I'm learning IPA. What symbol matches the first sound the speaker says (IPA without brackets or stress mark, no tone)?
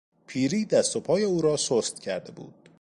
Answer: pʰ